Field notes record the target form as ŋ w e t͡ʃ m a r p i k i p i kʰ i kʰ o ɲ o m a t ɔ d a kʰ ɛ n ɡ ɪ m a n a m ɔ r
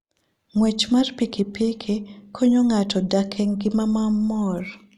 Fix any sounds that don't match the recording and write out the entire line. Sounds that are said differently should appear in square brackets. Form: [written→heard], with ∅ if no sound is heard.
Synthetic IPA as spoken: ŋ w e t͡ʃ m a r p i k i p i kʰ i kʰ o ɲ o [m→ŋ] a t ɔ d a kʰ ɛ [n→ŋ] ɡ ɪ m a [n→m] a m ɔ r